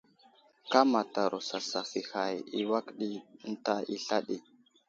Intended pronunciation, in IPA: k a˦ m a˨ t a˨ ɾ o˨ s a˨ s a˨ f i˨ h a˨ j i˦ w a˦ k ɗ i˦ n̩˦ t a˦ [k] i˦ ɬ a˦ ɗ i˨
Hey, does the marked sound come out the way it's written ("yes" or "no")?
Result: no